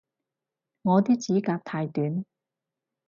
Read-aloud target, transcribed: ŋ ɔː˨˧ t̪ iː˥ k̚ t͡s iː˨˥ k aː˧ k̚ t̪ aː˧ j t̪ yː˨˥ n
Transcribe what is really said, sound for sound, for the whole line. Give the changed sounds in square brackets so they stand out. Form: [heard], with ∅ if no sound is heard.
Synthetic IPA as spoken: ŋ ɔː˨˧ t̪ iː˥ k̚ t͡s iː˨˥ k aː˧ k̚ [t̪ʰ] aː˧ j t̪ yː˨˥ n